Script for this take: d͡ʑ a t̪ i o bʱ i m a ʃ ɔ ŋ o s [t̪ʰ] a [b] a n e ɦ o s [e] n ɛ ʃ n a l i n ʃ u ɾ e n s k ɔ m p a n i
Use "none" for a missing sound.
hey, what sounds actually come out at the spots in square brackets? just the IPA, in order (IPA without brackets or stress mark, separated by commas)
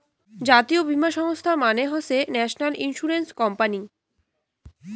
t̪ʰ, m, e